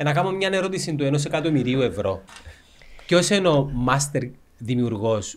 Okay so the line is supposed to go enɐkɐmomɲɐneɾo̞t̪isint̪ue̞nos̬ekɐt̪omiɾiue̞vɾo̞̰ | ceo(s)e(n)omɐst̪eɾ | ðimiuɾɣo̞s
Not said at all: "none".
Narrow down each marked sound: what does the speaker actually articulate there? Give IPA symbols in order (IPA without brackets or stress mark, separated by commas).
s, n